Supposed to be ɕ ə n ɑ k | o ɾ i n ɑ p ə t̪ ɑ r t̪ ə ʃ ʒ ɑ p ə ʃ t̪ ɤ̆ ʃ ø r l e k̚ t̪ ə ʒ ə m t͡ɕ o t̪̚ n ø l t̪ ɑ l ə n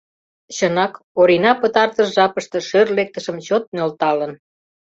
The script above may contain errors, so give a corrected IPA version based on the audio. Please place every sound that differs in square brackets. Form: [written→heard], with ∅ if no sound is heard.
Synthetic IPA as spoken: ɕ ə n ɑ k | o ɾ i n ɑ p ə t̪ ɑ r t̪ ə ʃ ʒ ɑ p ə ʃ t̪ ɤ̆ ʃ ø r l e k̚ t̪ ə [ʒ→ʃ] ə m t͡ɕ o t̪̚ n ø l t̪ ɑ l ə n